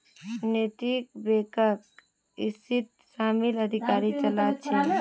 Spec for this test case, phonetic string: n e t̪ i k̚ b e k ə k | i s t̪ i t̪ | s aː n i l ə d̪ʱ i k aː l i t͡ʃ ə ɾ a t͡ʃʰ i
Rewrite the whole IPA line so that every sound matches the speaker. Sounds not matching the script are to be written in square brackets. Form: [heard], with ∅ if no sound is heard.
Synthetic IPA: n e t̪ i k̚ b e k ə k | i s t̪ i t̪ | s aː [m] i l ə d̪ʱ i k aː [ɾ] i t͡ʃ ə [l] a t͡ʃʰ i